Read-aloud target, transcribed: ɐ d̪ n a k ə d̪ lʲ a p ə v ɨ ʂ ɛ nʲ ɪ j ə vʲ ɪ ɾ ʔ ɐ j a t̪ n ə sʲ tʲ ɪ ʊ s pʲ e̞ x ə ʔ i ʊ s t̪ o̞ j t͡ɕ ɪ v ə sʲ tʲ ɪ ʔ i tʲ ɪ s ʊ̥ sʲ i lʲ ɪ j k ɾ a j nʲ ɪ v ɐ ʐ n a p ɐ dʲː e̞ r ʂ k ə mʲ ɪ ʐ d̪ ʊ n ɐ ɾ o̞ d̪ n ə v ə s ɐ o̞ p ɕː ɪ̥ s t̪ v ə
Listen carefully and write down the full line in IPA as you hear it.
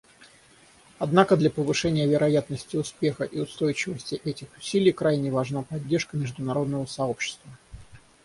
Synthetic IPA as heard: ɐ d̪ n a k ə d̪ lʲ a p ə v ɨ ʂ ɛ nʲ ɪ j ə vʲ ɪ ɾ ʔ ɐ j a t̪ n ə sʲ tʲ ɪ ʊ s pʲ e̞ x ə ʔ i ʊ s t̪ o̞ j t͡ɕ ɪ v ə sʲ tʲ ɪ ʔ ɛ tʲ ɪ x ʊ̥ sʲ i lʲ ɪ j k ɾ a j nʲ ɪ v ɐ ʐ n a p ɐ dʲː e̞ r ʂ k ə mʲ ɪ ʐ d̪ ʊ n ɐ ɾ o̞ d̪ n ə v ə s ɐ o̞ p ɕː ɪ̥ s t̪ v ə

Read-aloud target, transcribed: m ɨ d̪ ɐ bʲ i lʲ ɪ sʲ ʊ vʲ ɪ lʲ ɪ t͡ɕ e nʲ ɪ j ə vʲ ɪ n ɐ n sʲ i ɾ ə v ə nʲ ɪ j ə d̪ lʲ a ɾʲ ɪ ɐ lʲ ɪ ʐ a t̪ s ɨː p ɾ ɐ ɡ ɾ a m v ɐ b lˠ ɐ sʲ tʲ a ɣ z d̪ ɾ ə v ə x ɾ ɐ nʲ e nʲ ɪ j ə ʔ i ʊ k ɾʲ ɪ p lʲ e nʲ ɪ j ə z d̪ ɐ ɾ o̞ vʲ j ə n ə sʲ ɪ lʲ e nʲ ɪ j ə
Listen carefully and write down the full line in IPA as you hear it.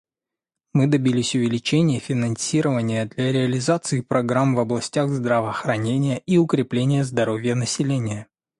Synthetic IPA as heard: m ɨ d̪ ɐ bʲ i lʲ ɪ sʲ ʊ vʲ ɪ lʲ ɪ t͡ɕ e nʲ ɪ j ə fʲ ɪ n ɐ n sʲ i ɾ ə v ə nʲ ɪ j ə d̪ lʲ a ɾʲ ɪ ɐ lʲ ɪ z a t̪ s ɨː p ɾ ɐ ɡ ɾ a m v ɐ b lˠ ɐ sʲ tʲ a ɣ z d̪ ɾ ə v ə x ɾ ɐ nʲ e nʲ ɪ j ə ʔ i ʊ k ɾʲ ɪ p lʲ e nʲ ɪ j ə z d̪ ɐ ɾ o̞ vʲ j ə n ə sʲ ɪ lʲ e nʲ ɪ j ə

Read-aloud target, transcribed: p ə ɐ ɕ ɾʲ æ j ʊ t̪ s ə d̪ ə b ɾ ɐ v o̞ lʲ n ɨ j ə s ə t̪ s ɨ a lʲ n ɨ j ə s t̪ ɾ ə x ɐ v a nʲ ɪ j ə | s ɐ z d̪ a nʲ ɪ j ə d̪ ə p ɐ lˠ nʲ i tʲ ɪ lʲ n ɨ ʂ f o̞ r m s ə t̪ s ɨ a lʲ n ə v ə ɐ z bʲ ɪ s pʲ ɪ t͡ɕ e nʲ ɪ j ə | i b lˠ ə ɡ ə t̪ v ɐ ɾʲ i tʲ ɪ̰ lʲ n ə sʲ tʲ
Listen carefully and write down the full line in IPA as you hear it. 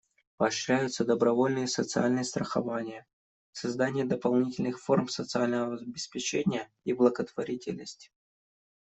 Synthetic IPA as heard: p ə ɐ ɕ ɾʲ æ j ʊ t̪ s ə d̪ ə b ɾ ɐ v o̞ lʲ n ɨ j ə s ə t̪ s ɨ a lʲ n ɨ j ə s t̪ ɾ ə x ɐ v a nʲ ɪ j ə | s ɐ z d̪ a nʲ ɪ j ə d̪ ə p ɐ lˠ nʲ i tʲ ɪ lʲ n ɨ x f o̞ r m s ə t̪ s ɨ a lʲ n ə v ə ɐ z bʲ ɪ s pʲ ɪ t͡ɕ e nʲ ɪ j ə | i b lˠ ə ɡ ə t̪ v ɐ ɾʲ i tʲ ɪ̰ lʲ n ə sʲ tʲ

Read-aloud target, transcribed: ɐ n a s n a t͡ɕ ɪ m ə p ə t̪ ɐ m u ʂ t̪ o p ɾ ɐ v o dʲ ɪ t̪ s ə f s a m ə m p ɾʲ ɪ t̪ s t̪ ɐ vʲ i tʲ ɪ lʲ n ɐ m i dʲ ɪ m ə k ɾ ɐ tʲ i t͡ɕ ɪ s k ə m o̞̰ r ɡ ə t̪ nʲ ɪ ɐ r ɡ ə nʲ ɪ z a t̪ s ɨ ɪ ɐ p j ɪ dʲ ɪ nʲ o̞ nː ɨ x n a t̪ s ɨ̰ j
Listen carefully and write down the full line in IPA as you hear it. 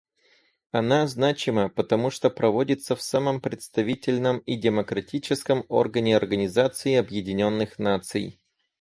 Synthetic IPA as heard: ɐ n a z n a t͡ɕ ɪ m ə p ə t̪ ɐ m u ʂ t̪ o p ɾ ɐ v o dʲ ɪ t̪ s ə f s a m ə m p ɾʲ ɪ t̪ s t̪ ɐ vʲ i tʲ ɪ lʲ n ə m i dʲ ɪ m ə k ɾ ɐ tʲ i t͡ɕ ɪ s k ə m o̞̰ r ɡ ə nʲ ɪ ɐ r ɡ ə nʲ ɪ z a t̪ s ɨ ɪ ɐ b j ɪ dʲ ɪ nʲ o̞ nː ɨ x n a t̪ s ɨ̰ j

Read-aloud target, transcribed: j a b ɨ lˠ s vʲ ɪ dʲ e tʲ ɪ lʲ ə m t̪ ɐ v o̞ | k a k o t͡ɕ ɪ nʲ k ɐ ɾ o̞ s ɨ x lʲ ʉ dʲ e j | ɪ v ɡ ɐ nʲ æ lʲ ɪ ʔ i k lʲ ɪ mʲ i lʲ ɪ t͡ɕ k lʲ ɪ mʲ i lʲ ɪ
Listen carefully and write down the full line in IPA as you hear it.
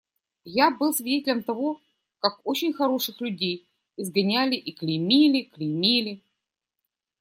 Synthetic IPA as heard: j a b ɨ lˠ s vʲ ɪ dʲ e tʲ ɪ lʲ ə m t̪ ɐ v o̞ | k a k o t͡ɕ ɪ nʲ x ɐ ɾ o̞ ʂ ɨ x lʲ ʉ dʲ e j | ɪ z ɡ ɐ nʲ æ lʲ ɪ ʔ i k lʲ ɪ mʲ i lʲ ɪ k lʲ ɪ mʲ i lʲ ɪ

